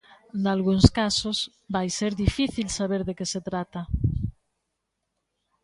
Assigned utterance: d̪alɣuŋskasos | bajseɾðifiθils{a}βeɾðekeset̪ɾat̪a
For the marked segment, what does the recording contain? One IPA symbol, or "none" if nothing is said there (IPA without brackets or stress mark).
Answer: a